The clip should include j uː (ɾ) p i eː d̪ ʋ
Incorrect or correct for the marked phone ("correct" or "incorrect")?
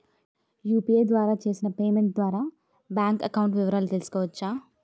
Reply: incorrect